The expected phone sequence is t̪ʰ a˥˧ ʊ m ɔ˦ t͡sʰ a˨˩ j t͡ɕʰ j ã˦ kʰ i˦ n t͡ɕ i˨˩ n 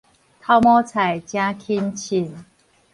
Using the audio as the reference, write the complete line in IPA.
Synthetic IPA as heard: t̪ʰ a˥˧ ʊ m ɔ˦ t͡sʰ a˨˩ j t͡ɕ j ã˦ kʰ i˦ n t͡ɕʰ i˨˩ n